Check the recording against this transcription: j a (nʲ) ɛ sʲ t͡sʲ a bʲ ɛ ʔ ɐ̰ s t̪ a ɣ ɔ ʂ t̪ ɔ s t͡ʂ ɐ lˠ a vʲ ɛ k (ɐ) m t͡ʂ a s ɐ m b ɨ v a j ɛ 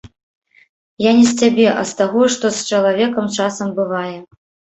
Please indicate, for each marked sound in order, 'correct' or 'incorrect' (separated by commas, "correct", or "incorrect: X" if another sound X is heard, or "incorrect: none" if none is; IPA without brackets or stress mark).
correct, correct